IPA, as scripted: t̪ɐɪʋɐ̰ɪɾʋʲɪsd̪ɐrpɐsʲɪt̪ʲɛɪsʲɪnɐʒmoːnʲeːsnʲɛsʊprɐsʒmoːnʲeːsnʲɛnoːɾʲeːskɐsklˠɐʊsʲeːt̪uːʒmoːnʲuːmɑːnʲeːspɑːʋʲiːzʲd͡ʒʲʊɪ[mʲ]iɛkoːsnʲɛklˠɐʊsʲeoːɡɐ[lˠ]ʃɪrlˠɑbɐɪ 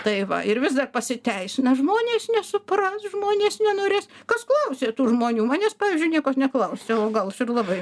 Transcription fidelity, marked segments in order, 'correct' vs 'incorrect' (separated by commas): incorrect, correct